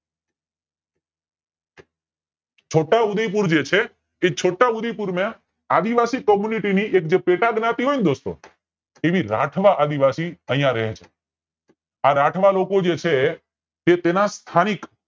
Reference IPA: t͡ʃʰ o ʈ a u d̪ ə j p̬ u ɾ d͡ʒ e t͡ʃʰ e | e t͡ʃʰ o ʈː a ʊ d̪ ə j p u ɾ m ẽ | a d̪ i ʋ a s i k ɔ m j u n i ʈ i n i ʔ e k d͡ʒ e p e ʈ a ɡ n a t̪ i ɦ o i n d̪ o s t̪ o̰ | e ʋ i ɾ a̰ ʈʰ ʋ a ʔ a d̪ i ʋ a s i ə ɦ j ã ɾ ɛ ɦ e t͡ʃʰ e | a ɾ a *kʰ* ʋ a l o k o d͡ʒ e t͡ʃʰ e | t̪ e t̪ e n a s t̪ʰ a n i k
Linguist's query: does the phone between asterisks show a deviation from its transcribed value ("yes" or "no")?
yes